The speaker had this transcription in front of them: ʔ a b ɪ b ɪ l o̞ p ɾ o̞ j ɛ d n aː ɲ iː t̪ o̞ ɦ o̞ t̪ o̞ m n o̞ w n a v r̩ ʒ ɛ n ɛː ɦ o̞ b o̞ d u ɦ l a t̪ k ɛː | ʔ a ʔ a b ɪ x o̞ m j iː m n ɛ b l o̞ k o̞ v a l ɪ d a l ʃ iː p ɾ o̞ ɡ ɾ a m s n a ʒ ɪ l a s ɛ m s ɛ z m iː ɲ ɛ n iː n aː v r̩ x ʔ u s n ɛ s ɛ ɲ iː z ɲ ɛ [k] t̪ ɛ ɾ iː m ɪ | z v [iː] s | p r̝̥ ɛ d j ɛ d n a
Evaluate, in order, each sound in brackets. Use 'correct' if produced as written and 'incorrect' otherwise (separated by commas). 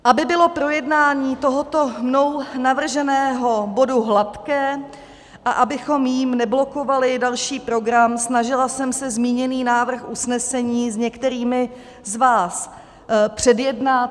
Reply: correct, incorrect